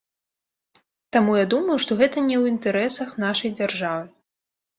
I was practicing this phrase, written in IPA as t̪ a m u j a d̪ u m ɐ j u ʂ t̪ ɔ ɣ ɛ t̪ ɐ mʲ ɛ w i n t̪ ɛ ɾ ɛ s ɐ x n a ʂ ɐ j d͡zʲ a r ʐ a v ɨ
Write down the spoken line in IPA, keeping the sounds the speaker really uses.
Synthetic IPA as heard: t̪ a m u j a d̪ u m ɐ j u ʂ t̪ ɔ ɣ ɛ t̪ ɐ nʲ ɛ w i n t̪ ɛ ɾ ɛ s ɐ x n a ʂ ɐ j d͡zʲ a r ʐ a v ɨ